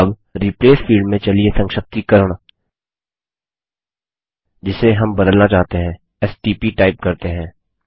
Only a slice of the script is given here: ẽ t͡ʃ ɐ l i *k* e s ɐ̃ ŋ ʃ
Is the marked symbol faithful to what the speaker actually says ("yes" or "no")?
no